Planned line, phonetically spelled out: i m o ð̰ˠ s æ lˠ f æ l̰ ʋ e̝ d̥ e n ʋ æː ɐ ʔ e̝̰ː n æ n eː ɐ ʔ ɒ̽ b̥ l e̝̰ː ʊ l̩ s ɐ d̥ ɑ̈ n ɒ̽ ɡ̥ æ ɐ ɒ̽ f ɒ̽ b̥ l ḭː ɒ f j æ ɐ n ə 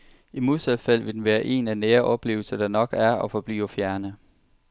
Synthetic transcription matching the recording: i m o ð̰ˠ s æ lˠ f æ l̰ ʋ e̝ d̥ e n ʋ æː ɐ ʔ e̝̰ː n æ n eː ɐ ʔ ɒ̽ b̥ l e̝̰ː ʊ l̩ s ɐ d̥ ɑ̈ n ɒ̽ ɡ̥ æ ɐ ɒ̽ f ɒ̽ b̥ l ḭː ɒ f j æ ɐ n ə